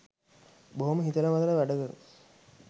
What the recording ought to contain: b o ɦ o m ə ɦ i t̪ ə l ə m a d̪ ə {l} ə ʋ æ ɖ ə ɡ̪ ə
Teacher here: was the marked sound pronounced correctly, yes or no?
yes